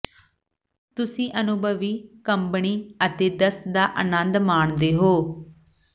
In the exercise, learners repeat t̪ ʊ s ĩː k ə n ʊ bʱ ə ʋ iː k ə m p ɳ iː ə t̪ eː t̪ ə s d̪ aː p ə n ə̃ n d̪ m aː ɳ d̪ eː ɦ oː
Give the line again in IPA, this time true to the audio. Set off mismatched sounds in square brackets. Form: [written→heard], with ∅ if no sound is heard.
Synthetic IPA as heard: t̪ ʊ s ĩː [k→ʔ] ə n ʊ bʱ ə ʋ iː k ə m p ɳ iː ə t̪ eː [t̪→d̪] ə s d̪ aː [p→ʔ] ə n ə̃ n d̪ m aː ɳ d̪ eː ɦ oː

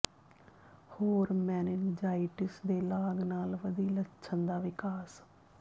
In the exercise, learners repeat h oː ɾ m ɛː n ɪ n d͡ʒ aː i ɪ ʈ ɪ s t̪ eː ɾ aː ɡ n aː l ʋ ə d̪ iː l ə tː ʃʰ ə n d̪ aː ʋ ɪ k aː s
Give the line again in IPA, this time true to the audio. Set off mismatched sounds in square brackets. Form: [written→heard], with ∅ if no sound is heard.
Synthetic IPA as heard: h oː ɾ m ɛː n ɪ n d͡ʒ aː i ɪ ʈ ɪ s [t̪→d̪] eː [ɾ→l] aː ɡ n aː l ʋ ə d̪ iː l ə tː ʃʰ ə n d̪ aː ʋ ɪ k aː s

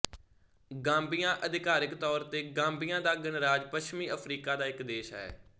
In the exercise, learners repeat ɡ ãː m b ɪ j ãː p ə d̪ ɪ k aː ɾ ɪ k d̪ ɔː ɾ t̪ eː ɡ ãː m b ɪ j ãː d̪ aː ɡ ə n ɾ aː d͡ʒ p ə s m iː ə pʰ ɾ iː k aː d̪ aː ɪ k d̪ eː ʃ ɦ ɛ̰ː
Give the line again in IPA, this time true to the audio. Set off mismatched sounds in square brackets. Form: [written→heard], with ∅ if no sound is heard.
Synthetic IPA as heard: ɡ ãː m b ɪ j ãː [p→ʔ] ə d̪ ɪ k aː ɾ ɪ k [d̪→t̪] ɔː ɾ t̪ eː ɡ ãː m b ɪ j ãː d̪ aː ɡ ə n ɾ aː d͡ʒ p ə [s→ʃ] m iː ə pʰ ɾ iː k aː d̪ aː ɪ k d̪ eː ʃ ɦ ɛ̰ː

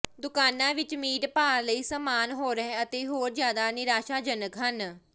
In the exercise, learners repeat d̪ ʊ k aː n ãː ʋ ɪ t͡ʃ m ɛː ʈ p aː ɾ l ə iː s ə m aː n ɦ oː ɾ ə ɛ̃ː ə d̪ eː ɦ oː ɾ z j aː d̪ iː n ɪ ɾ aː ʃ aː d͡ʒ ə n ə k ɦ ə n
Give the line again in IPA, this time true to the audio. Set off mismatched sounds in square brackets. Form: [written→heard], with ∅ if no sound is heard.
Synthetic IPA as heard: d̪ ʊ k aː n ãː ʋ ɪ t͡ʃ m [ɛː→iː] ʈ p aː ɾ l ə iː s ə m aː n ɦ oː ɾ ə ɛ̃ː ə [d̪→t̪] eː ɦ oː ɾ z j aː d̪ [iː→aː] n ɪ ɾ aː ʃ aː d͡ʒ ə n ə k ɦ ə n

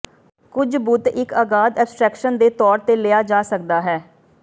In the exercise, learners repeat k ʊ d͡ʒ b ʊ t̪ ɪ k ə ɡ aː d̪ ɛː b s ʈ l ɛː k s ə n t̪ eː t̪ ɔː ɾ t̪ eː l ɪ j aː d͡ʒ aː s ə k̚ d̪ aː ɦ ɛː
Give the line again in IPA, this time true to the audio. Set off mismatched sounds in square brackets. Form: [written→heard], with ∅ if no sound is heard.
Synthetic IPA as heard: k ʊ d͡ʒ b ʊ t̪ ɪ k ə ɡ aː d̪ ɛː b s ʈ [l→ɾ] ɛː k [s→ʃ] ə n [t̪→d̪] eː t̪ ɔː ɾ t̪ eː l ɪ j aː d͡ʒ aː s ə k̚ d̪ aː ɦ ɛː

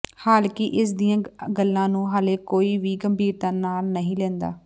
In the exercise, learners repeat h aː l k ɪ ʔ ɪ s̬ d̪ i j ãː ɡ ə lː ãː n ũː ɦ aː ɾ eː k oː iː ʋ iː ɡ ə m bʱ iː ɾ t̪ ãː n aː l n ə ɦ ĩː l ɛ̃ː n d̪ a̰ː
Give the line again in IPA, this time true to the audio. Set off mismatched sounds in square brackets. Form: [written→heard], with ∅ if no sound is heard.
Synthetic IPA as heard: h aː l k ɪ ʔ ɪ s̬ d̪ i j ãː ɡ ə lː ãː n ũː ɦ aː [ɾ→l] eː k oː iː ʋ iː ɡ ə m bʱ iː ɾ t̪ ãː n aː l n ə ɦ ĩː l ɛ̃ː n d̪ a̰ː

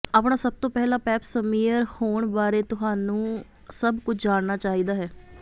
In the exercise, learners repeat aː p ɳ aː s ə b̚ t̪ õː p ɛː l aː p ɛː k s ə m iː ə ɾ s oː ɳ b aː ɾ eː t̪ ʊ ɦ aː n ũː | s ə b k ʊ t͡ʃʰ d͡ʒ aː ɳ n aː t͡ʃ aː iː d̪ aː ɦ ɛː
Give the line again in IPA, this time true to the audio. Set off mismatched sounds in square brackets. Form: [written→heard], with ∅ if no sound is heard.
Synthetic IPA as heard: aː p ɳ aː s ə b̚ t̪ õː p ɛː l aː p ɛː [k→p] s ə m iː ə ɾ [s→h] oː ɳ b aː ɾ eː t̪ ʊ ɦ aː n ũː | s ə b k ʊ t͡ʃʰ d͡ʒ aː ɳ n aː t͡ʃ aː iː d̪ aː ɦ ɛː

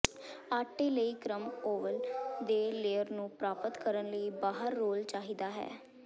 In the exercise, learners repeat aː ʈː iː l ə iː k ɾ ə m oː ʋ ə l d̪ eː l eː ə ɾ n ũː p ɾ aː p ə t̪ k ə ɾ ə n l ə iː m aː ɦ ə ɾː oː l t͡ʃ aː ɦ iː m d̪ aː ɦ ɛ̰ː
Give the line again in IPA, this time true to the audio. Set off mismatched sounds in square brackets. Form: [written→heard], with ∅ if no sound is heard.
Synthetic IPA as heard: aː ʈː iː l ə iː k ɾ ə m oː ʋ ə l d̪ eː l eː ə ɾ n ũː p ɾ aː p ə t̪ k ə ɾ ə n l ə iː [m→b] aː ɦ ə ɾː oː l t͡ʃ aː ɦ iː [m→∅] d̪ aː ɦ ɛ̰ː

